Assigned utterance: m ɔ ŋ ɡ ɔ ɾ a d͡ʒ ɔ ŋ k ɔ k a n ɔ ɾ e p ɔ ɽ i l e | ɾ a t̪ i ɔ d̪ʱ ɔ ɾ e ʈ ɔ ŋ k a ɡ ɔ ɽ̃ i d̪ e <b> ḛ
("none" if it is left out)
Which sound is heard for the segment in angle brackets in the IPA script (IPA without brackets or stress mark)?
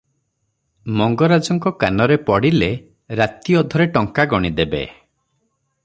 b